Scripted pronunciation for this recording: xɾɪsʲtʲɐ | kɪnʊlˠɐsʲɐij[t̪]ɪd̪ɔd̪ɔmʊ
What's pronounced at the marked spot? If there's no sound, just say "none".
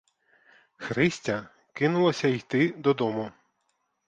t̪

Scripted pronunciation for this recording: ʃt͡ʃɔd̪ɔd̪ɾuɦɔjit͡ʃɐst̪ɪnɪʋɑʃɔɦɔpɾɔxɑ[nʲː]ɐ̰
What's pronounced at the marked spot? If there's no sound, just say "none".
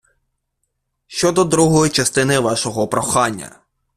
nʲː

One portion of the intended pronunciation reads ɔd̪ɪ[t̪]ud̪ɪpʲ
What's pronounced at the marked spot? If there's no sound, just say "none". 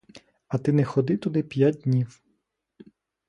t̪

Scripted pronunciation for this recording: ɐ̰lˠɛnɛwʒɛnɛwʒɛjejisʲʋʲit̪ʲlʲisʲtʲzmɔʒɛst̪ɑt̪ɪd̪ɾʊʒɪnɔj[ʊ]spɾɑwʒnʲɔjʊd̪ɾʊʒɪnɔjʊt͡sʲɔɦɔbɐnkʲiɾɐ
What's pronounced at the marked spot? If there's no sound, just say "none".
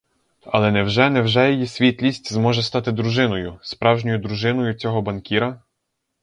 ʊ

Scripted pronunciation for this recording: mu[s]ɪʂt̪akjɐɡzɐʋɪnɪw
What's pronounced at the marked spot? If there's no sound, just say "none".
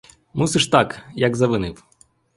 s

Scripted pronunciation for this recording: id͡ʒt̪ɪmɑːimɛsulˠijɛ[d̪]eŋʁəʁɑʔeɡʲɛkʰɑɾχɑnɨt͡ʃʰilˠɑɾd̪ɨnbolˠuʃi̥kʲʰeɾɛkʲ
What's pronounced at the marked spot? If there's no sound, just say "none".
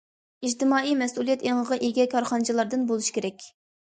t̪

